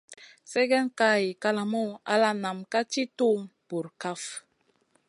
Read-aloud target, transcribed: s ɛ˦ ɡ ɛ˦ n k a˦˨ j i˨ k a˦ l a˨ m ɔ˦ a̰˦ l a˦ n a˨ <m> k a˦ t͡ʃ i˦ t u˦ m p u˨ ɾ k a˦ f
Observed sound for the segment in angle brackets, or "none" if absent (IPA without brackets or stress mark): m